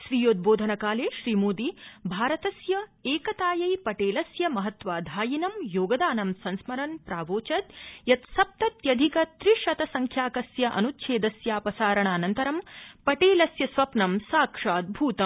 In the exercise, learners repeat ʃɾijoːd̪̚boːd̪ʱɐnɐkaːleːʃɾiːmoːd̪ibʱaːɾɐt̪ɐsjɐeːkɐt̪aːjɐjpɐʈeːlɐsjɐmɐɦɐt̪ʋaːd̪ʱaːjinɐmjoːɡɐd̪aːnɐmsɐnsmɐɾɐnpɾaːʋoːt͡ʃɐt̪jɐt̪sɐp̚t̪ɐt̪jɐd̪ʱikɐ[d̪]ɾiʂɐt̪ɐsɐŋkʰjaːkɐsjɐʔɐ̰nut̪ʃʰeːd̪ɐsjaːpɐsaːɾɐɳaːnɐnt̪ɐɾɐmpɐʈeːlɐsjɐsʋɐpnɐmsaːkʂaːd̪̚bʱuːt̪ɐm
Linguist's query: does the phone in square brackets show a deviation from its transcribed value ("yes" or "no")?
yes